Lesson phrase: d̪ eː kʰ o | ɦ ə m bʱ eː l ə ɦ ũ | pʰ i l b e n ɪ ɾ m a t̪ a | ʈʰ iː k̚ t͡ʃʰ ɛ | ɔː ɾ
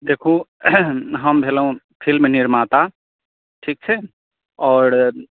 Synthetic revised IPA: d̪ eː kʰ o | ɦ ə m bʱ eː l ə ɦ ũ | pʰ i l m e n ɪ ɾ m a t̪ a | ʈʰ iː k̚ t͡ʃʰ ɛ | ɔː ɾ